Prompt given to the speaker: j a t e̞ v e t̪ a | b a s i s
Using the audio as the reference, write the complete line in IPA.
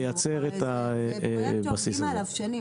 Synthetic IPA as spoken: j a t͡s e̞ ʁ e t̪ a | b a s i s